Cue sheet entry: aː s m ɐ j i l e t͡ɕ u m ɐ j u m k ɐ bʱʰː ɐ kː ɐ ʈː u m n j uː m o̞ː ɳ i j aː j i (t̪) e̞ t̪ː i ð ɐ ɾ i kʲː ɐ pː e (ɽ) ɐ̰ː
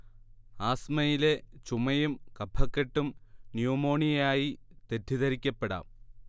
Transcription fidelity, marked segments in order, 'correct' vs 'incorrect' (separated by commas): correct, correct